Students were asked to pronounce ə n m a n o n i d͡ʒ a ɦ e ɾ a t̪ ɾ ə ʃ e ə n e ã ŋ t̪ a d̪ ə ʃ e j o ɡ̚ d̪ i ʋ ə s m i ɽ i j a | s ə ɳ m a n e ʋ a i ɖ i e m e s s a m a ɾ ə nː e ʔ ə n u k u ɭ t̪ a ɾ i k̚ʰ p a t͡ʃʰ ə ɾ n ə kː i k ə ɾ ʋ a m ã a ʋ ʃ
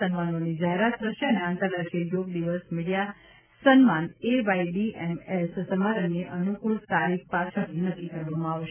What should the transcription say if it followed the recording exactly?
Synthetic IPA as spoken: ə n m a n o n i d͡ʒ a ɦ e ɾ a t̪ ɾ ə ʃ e ə n e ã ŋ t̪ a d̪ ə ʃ e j o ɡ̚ d̪ i ʋ ə s m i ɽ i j a | s ə n m a n e ʋ a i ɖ i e m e s s ə m a ɾ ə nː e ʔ ə n u k u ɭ t̪ a ɾ i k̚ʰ p a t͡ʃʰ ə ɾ n ə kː i k ə ɾ ʋ a m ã a ʋ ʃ